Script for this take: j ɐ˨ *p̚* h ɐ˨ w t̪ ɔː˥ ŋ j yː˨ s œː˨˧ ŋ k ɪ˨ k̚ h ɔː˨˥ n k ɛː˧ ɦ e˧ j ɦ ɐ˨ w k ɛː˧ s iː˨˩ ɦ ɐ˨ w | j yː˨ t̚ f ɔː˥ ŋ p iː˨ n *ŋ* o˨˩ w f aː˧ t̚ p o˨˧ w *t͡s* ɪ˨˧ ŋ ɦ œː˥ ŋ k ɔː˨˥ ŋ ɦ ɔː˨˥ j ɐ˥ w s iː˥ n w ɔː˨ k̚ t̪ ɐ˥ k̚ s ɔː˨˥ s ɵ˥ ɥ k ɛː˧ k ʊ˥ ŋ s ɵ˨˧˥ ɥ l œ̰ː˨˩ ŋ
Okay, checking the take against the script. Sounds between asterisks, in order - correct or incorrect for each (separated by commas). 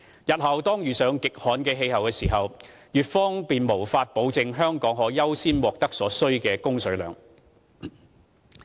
incorrect, incorrect, correct